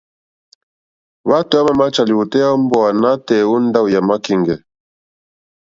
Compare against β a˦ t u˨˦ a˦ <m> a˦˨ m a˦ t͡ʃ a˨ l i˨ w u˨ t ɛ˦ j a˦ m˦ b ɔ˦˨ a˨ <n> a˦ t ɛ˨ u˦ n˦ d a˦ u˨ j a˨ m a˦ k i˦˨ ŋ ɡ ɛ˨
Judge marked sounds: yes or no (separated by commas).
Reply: yes, yes